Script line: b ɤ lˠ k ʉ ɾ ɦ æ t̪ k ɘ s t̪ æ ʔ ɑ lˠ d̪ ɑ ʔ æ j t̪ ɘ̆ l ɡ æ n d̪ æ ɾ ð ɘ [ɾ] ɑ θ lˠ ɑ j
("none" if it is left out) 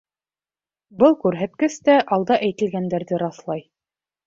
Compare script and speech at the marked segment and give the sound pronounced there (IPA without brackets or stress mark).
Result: ɾ